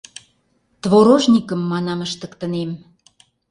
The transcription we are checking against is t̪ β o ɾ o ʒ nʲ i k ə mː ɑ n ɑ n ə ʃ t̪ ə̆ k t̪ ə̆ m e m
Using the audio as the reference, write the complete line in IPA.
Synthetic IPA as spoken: t̪ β o ɾ o ʒ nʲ i k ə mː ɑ n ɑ m ə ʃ t̪ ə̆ k t̪ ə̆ n e m

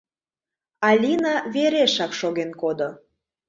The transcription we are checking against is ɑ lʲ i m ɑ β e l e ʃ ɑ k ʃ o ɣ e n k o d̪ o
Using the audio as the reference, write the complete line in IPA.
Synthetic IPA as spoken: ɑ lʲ i n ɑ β e ɾ e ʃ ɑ k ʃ o ɣ e n k o d̪ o

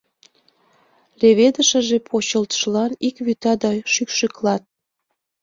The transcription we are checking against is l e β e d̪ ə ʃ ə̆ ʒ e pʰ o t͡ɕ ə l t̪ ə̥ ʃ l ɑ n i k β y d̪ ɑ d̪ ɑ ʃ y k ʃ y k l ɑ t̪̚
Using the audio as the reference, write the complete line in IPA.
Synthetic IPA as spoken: l e β e d̪ ə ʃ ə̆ ʒ e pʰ o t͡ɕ ə l t̪ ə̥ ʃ l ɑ n i k β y t̪ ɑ d̪ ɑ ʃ y k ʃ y k l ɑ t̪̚

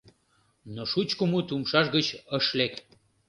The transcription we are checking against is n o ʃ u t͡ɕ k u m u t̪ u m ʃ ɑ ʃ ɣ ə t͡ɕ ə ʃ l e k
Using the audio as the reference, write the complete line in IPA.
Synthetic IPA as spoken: n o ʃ u t͡ɕ k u m u t̪ u m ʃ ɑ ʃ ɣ ə t͡ɕ ə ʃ l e k

